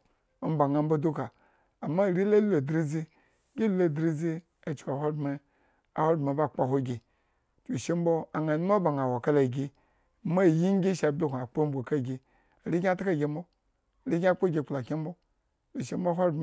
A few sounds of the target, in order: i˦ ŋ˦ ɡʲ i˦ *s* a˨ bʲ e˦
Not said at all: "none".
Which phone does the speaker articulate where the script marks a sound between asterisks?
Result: ʃ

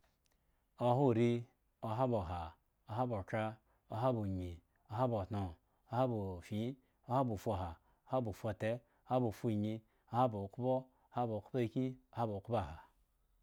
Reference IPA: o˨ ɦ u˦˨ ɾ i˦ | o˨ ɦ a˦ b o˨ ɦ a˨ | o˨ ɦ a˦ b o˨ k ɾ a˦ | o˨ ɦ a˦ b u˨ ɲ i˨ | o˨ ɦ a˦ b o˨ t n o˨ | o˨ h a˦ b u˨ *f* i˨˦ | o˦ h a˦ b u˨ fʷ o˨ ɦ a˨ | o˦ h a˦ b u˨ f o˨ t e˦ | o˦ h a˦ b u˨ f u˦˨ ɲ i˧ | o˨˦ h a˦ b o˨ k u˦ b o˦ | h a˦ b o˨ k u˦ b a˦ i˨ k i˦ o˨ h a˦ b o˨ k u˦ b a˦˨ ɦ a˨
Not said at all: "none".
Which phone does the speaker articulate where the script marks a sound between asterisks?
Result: f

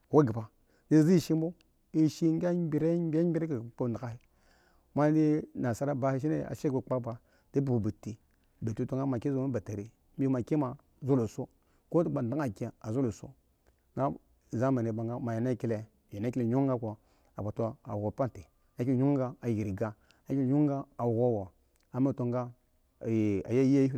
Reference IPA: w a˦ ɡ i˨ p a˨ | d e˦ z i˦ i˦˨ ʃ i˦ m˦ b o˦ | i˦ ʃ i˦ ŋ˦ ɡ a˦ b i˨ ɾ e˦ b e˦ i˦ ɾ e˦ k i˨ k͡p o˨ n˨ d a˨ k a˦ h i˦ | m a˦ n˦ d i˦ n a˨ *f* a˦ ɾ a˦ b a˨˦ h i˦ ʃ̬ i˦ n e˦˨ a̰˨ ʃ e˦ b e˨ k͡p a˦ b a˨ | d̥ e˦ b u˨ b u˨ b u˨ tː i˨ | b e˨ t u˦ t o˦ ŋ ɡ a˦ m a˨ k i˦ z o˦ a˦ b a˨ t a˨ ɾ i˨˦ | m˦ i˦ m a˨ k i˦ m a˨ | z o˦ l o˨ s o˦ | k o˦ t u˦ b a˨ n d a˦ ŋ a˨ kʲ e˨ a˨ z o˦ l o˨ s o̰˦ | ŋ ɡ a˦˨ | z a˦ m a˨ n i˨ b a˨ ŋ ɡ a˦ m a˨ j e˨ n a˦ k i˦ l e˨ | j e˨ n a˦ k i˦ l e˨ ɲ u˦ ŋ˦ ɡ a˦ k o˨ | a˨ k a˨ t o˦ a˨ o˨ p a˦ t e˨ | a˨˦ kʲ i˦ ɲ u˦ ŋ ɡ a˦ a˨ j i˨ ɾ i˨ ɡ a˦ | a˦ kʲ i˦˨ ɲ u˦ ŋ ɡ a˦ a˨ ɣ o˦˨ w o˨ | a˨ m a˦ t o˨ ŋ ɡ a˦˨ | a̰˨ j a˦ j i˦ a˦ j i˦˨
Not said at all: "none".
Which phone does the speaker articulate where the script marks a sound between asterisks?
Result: s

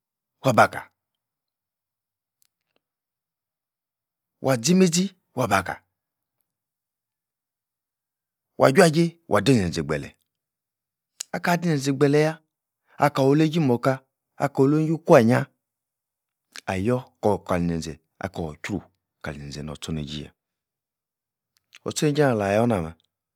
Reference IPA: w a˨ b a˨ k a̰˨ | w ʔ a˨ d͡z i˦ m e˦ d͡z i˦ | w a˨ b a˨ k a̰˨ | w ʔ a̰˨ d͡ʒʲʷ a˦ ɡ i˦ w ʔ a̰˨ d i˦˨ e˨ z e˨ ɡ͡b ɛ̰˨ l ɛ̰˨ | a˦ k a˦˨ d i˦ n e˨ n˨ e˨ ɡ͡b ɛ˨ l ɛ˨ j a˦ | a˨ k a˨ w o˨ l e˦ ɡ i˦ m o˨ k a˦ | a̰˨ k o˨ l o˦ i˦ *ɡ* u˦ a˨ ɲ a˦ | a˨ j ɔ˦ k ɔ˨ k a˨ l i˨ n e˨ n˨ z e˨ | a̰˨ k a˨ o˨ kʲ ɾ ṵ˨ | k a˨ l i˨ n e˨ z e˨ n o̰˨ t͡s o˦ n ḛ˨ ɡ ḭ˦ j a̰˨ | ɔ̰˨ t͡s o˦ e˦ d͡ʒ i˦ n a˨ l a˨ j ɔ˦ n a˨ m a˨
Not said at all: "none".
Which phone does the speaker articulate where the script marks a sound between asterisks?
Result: k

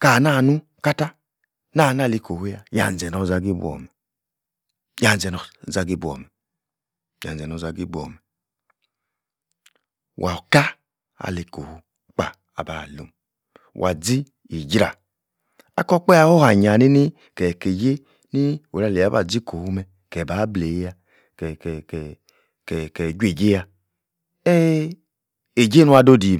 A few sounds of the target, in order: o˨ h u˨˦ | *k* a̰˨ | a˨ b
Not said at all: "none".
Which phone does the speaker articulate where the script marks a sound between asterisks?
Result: k͡p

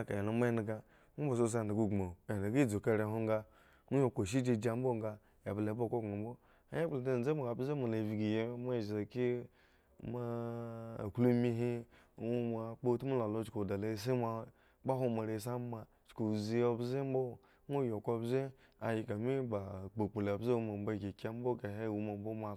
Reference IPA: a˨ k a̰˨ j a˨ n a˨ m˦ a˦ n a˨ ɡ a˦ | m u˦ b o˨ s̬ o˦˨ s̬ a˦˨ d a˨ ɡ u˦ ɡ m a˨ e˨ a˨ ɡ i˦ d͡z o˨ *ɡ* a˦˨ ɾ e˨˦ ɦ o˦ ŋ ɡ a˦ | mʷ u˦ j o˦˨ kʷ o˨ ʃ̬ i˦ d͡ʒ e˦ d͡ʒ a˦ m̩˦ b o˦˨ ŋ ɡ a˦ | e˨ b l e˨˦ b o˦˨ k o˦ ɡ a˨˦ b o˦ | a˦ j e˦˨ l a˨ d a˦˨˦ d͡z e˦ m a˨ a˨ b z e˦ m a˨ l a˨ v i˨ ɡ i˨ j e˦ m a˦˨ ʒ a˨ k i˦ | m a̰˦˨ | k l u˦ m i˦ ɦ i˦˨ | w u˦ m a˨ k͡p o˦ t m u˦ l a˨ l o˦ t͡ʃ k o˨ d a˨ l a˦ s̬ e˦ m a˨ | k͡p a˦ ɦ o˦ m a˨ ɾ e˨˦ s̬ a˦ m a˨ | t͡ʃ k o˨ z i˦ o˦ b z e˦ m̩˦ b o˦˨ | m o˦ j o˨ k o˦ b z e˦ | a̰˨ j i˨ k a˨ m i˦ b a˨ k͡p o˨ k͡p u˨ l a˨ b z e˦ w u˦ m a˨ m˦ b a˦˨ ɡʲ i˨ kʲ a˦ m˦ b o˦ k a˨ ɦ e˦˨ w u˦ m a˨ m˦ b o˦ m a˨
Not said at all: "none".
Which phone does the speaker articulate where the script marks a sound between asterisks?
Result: k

